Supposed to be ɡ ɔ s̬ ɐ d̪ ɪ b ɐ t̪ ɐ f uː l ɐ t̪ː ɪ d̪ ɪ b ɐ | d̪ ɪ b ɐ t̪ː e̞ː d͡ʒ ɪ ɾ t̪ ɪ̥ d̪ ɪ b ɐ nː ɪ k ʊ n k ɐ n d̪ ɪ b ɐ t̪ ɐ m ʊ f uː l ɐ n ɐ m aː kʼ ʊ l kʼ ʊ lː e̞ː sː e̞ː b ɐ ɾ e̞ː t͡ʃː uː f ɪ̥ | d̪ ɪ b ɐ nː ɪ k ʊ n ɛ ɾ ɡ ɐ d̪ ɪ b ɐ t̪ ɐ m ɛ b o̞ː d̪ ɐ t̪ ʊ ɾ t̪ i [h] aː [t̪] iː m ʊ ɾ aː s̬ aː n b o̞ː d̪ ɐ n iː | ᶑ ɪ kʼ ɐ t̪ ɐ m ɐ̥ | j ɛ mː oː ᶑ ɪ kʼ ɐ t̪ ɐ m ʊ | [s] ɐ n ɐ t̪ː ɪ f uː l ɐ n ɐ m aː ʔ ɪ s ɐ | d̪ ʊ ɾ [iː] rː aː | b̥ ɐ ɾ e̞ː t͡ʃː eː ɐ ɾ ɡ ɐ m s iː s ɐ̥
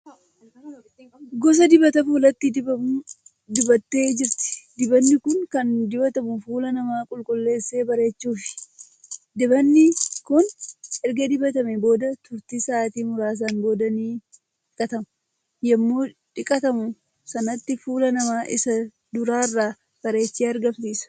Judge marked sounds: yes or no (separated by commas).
no, yes, yes, no